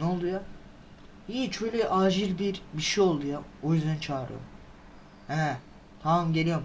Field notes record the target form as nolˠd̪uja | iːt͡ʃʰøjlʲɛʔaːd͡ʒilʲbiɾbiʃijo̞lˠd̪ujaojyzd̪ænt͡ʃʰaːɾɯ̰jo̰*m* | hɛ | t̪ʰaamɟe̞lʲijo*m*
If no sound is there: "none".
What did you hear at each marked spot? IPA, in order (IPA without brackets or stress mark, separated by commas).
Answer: m, m